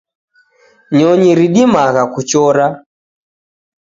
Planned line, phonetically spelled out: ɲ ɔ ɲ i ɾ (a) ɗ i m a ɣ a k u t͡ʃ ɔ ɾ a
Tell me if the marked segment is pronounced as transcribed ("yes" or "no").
no